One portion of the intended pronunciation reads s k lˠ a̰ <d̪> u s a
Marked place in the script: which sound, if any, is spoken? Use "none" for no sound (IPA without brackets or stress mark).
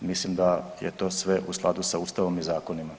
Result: d̪